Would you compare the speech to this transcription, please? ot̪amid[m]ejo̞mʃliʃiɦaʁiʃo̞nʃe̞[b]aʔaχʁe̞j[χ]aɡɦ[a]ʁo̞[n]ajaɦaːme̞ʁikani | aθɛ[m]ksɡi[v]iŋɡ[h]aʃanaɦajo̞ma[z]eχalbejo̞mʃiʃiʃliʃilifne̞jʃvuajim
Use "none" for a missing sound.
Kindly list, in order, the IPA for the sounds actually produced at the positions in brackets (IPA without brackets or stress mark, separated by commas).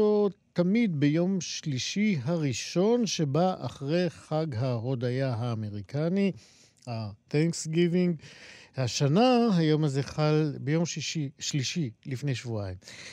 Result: b, b, χ, a, d, ŋ, v, h, z